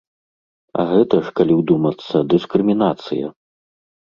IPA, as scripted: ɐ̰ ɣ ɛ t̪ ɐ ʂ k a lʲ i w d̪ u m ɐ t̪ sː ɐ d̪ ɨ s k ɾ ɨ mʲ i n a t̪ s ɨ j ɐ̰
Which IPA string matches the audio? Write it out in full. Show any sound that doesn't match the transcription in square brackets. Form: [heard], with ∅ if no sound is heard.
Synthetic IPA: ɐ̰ ɣ ɛ t̪ ɐ ʂ k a lʲ i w d̪ u m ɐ t̪ sː ɐ d̪ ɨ s k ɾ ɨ mʲ i n a t̪ s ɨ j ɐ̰